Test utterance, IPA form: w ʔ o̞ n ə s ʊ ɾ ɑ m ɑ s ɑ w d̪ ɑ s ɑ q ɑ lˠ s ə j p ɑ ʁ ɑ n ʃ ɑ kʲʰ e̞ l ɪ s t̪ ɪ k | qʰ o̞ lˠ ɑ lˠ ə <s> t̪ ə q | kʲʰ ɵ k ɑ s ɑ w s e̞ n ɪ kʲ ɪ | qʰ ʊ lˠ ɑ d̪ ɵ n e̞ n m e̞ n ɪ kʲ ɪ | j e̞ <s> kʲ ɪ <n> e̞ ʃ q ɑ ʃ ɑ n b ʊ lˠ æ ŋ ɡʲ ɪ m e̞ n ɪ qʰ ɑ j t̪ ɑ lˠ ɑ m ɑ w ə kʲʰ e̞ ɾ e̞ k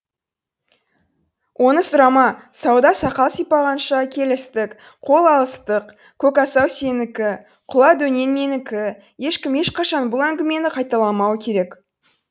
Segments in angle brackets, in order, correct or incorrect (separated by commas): correct, incorrect, incorrect